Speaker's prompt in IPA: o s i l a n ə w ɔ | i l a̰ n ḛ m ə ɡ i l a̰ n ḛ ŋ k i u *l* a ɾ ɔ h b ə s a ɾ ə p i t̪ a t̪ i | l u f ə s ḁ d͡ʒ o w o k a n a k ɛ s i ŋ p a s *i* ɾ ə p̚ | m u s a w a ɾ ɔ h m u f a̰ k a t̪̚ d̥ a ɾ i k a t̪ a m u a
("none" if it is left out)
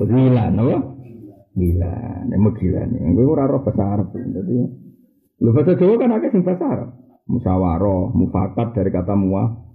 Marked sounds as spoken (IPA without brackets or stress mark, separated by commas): ɾ, a